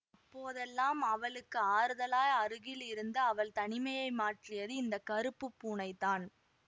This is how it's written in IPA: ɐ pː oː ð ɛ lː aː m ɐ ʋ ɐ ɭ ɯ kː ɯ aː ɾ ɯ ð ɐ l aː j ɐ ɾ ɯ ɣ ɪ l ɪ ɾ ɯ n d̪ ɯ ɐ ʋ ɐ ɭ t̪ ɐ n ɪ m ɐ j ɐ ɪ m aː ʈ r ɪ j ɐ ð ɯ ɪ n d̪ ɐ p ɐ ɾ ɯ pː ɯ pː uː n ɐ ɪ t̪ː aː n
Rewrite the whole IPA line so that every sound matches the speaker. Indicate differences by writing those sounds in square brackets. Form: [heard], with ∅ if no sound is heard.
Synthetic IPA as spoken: ɐ pː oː ð ɛ lː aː m ɐ ʋ ɐ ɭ ɯ kː ɯ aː ɾ ɯ ð ɐ l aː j ɐ ɾ ɯ ɣ ɪ l ɪ ɾ ɯ n d̪ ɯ ɐ ʋ ɐ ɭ t̪ ɐ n ɪ m ɐ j ɐ ɪ m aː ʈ r ɪ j ɐ ð ɯ ɪ n d̪ ɐ [k] ɐ ɾ ɯ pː ɯ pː uː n ɐ ɪ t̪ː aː n

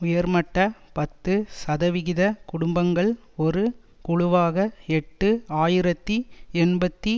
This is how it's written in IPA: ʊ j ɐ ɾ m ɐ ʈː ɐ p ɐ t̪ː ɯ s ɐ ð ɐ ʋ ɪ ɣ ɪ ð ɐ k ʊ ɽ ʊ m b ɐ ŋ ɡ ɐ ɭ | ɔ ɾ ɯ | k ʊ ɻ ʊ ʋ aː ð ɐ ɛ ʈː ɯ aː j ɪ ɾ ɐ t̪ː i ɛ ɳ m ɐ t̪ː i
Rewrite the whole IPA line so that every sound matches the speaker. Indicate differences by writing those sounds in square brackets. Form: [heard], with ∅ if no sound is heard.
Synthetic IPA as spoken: ʊ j ɐ ɾ m ɐ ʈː ɐ p ɐ t̪ː ɯ s ɐ ð ɐ ʋ ɪ ɣ ɪ ð ɐ k ʊ ɽ ʊ m b ɐ ŋ ɡ ɐ ɭ | ɔ ɾ ɯ | k ʊ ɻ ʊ ʋ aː [ɣ] ɐ ɛ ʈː ɯ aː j ɪ ɾ ɐ t̪ː i ɛ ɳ [b] ɐ t̪ː i

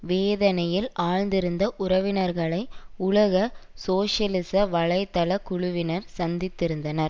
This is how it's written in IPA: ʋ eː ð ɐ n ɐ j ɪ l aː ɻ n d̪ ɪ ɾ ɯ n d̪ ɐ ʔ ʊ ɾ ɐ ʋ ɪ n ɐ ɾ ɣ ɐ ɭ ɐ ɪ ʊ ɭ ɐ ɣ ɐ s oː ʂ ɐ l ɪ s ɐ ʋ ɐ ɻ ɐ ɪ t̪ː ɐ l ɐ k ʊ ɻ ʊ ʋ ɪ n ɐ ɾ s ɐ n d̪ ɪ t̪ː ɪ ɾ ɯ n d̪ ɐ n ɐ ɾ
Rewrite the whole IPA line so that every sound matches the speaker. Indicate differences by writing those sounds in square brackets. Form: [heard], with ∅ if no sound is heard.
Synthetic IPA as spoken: ʋ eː ð ɐ n ɐ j ɪ l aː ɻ n d̪ ɪ ɾ ɯ n d̪ ɐ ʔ ʊ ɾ ɐ ʋ ɪ n ɐ ɾ ɣ ɐ ɭ ɐ ɪ ʊ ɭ ɐ ɣ ɐ s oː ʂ ɐ l ɪ s ɐ ʋ ɐ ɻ ɐ ɪ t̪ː ɐ l ɐ k ʊ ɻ ʊ ʋ ɪ n ɐ ɾ s ɐ n d̪ ɪ t̪ː ɪ ɾ ɯ n d̪ ɐ n ɐ ɾ

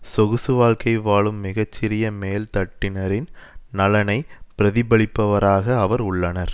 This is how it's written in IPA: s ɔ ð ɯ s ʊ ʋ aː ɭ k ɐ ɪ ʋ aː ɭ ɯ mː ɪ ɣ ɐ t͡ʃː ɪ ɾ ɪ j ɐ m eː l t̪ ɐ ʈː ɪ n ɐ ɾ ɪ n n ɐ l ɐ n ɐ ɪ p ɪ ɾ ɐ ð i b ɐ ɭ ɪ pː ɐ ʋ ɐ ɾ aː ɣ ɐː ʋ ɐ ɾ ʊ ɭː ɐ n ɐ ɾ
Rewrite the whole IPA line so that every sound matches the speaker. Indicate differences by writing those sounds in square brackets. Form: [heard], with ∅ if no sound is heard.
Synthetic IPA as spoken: s ɔ [ɣ] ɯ s [ɯ] ʋ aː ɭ k ɐ ɪ ʋ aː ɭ ɯ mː ɪ ɣ ɐ t͡ʃː ɪ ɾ ɪ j ɐ m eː l t̪ ɐ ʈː ɪ n ɐ ɾ ɪ n n ɐ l ɐ n ɐ ɪ p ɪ ɾ ɐ ð [ɪ] b ɐ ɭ ɪ pː ɐ ʋ ɐ ɾ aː ɣ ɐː ʋ ɐ ɾ ʊ ɭː ɐ n ɐ ɾ

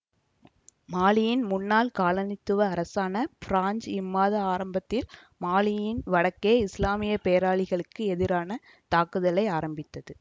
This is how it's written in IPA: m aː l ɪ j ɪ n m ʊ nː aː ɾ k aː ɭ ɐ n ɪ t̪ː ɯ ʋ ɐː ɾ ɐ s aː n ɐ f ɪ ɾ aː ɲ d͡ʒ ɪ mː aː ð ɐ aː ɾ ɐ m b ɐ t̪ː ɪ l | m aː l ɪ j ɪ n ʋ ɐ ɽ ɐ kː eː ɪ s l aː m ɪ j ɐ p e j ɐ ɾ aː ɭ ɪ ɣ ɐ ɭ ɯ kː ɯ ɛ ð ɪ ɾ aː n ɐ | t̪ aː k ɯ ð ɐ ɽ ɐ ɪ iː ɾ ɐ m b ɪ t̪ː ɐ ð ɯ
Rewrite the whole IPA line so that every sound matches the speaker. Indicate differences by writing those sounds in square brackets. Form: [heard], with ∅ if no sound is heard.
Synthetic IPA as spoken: m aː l ɪ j ɪ n m ʊ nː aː [l] k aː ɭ ɐ n ɪ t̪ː ɯ ʋ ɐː ɾ ɐ s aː n ɐ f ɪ ɾ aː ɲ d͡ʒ ɪ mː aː ð ɐ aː ɾ ɐ m b ɐ t̪ː ɪ l | m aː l ɪ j ɪ n ʋ ɐ ɽ ɐ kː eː ɪ s l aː m ɪ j ɐ p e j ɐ ɾ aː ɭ ɪ ɣ ɐ ɭ ɯ kː ɯ ɛ ð ɪ ɾ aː n ɐ | t̪ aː k ɯ ð ɐ [l] ɐ ɪ [aː] ɾ ɐ m b ɪ t̪ː ɐ ð ɯ

